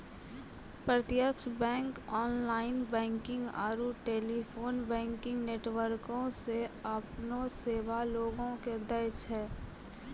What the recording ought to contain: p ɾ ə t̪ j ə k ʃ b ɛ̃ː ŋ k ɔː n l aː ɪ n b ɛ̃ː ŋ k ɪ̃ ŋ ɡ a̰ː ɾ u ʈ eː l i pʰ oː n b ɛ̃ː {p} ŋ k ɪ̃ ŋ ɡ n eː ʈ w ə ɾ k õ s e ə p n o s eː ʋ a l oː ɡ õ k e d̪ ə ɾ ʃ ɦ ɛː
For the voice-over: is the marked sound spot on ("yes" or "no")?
no